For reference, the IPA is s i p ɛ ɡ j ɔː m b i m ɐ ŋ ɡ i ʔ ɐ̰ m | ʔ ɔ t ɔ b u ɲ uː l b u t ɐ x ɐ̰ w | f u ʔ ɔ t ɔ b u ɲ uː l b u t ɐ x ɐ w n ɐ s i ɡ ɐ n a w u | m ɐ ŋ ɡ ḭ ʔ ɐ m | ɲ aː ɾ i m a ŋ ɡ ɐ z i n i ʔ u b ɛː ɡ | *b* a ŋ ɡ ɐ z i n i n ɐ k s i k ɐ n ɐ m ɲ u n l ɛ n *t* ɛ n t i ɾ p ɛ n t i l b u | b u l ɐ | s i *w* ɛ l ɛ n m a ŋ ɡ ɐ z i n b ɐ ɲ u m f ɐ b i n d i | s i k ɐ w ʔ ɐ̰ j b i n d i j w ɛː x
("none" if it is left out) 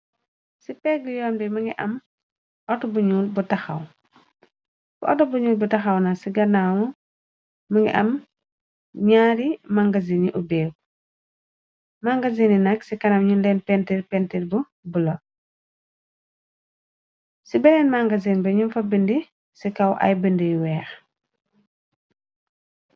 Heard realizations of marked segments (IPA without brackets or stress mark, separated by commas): m, p, b